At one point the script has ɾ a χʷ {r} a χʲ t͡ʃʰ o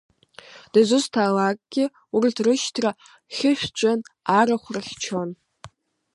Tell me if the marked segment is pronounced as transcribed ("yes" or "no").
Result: yes